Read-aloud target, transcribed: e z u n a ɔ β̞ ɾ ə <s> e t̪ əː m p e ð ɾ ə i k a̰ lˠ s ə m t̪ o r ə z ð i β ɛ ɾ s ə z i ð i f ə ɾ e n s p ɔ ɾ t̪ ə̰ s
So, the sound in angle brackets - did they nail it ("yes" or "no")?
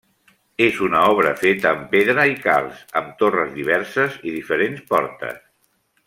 no